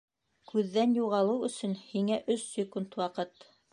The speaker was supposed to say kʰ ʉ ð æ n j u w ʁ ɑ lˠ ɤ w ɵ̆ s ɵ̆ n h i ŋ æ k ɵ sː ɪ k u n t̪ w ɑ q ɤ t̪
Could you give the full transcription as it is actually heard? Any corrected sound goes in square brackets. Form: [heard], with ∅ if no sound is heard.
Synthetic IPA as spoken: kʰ ʉ [ðː] æ n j u [∅] ʁ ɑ lˠ ɤ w ɵ̆ s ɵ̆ n h i ŋ æ [ʔ] ɵ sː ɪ k u n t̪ w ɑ q ɤ t̪